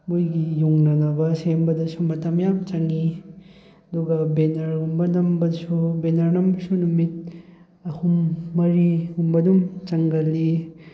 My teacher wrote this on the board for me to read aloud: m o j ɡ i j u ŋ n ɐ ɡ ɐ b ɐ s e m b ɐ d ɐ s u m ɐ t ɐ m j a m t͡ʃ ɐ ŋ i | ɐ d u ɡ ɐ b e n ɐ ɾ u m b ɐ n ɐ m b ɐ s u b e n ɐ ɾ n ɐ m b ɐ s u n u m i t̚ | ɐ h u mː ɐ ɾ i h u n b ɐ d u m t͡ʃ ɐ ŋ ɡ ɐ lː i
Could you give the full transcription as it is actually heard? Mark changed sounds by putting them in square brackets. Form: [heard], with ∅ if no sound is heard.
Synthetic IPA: m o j ɡ i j u ŋ n ɐ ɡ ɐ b ɐ s e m b ɐ d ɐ s u m ɐ t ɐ m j a m t͡ʃ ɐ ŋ i | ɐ d u ɡ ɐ b e n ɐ ɾ u m b ɐ n ɐ m b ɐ s u b e n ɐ ɾ n ɐ m b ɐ s u n u m i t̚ | ɐ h u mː ɐ ɾ i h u [m] b ɐ d u m t͡ʃ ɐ ŋ ɡ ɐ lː i